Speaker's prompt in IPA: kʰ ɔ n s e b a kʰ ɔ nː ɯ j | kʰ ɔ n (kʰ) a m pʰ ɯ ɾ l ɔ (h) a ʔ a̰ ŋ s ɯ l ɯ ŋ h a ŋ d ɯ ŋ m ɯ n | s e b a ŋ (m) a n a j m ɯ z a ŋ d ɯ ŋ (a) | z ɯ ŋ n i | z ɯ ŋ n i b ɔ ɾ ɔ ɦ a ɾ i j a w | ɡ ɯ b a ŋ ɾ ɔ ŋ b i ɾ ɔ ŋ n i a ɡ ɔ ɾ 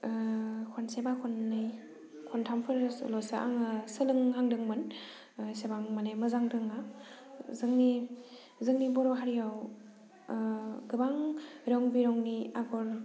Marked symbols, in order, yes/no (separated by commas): no, no, yes, yes